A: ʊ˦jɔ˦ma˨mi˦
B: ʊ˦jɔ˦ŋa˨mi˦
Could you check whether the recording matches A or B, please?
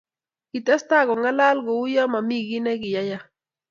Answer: A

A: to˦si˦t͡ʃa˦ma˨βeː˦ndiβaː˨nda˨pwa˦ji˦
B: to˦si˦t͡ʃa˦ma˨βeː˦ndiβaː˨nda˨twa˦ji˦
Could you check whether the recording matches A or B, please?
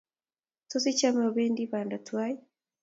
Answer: B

